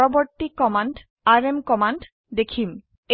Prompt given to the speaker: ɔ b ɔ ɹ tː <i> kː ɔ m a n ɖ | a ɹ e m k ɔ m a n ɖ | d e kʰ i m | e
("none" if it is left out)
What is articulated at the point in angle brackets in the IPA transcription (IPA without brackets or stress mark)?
i